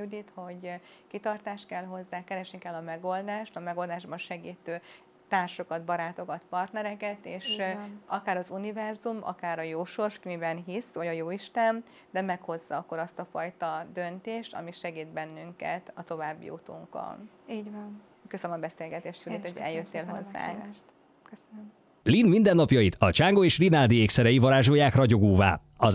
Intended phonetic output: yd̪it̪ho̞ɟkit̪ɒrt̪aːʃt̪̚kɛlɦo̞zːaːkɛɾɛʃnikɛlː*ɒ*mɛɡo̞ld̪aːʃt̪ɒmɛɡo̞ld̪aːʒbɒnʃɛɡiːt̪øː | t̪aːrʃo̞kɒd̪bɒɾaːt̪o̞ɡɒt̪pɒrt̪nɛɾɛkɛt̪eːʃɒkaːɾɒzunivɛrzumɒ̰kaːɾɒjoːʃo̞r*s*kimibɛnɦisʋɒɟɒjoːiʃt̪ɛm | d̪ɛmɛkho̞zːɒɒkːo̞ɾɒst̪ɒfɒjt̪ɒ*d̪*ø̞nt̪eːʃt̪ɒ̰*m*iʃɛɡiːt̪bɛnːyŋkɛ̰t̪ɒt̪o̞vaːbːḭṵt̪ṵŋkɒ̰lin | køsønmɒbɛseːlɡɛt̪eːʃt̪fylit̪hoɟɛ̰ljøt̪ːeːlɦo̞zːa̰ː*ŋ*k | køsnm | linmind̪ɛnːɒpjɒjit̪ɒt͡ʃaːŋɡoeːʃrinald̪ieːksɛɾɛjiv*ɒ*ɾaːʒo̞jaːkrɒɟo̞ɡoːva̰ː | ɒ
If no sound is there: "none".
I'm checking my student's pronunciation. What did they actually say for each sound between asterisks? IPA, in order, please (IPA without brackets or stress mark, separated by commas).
ɒ, ʃ, d̪, m, ŋ, ɒ